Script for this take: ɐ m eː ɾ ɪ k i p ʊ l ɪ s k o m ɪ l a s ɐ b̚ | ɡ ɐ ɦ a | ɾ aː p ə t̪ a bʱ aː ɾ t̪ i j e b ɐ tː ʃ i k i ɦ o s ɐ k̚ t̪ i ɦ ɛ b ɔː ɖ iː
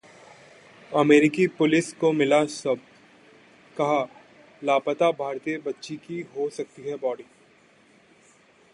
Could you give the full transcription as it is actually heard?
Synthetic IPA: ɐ m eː ɾ ɪ k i p ʊ l ɪ s k o m ɪ l a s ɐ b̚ | k ɐ ɦ a | l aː p ə t̪ a bʱ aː ɾ t̪ i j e b ɐ tː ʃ i k i ɦ o s ɐ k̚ t̪ i ɦ ɛ b ɔː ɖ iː